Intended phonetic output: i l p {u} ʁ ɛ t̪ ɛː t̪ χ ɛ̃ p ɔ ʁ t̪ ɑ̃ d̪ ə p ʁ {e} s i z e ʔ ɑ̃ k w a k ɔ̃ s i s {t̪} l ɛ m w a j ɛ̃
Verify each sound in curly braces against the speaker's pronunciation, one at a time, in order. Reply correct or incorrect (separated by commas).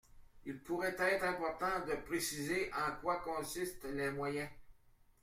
correct, correct, correct